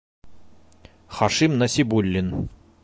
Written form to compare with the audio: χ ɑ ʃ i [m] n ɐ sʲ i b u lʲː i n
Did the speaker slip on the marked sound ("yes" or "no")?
no